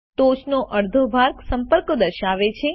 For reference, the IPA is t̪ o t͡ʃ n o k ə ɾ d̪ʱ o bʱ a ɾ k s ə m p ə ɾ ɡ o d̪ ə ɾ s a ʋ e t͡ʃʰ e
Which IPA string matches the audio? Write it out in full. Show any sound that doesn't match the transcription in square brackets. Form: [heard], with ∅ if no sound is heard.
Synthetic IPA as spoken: t̪ o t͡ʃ n o [ʔ] ə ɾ d̪ʱ o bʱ a ɾ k s ə m p ə ɾ [k] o d̪ ə ɾ [ʃ] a ʋ e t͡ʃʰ e